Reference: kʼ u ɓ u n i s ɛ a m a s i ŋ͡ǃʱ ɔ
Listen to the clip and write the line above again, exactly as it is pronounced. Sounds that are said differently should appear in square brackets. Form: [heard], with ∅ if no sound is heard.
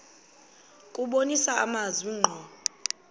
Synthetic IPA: kʼ u ɓ [o] n i s [a] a m a [z] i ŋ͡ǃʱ ɔ